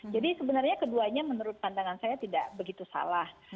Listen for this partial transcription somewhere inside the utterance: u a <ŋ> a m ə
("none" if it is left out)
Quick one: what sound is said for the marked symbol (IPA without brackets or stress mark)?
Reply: ɲ